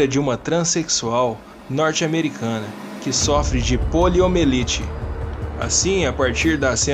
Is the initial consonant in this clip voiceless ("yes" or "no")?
no